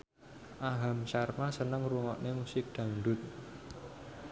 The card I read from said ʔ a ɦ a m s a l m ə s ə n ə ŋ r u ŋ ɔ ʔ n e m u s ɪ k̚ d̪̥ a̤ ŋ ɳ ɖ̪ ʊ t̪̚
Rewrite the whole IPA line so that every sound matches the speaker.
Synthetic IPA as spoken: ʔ a ɦ a m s a r m a s ə n ə ŋ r u ŋ ɔ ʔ n e m u s ɪ k̚ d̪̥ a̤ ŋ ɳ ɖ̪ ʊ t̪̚